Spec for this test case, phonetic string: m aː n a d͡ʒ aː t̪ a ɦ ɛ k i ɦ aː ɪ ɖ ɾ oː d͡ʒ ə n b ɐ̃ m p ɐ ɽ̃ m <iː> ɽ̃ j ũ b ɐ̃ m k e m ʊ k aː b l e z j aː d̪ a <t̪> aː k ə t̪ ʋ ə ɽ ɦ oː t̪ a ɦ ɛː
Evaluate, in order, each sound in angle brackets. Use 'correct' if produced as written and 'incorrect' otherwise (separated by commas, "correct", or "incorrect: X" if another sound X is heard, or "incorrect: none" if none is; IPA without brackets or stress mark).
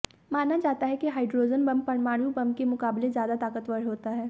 incorrect: aː, correct